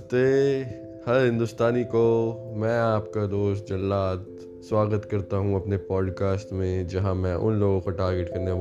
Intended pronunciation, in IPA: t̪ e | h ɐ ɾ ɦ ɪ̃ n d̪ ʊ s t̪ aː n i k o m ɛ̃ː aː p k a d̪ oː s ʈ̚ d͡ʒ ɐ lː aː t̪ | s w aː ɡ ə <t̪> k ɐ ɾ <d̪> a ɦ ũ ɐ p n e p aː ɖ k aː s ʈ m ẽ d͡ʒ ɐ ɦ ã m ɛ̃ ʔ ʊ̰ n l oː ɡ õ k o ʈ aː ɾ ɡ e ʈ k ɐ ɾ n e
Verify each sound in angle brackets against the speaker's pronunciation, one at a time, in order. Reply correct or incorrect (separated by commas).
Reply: correct, incorrect